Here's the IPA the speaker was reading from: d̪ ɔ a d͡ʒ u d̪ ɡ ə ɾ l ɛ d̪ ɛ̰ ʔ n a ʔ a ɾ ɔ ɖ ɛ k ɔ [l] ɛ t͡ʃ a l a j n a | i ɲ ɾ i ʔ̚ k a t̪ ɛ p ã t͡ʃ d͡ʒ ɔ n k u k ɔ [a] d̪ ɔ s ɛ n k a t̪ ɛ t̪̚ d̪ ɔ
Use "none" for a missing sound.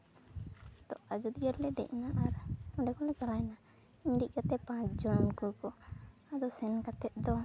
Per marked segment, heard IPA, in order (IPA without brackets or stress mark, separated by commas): l, a